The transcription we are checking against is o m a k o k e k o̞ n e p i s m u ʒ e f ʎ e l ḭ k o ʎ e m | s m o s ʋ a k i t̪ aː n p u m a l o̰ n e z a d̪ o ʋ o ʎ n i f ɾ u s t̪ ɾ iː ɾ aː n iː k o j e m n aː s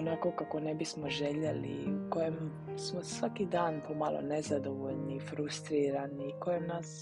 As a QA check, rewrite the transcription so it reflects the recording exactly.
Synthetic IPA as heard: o n a k o k a k o̞ n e b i s m o ʒ e ʎ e l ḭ k o j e m | s m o s ʋ a k i d̪ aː n p o m a l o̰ n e z a d̪ o ʋ o ʎ n i f ɾ u s t̪ ɾ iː ɾ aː n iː k o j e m n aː s